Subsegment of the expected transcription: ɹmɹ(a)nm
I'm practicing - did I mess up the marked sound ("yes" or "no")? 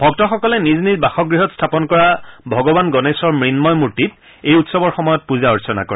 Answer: yes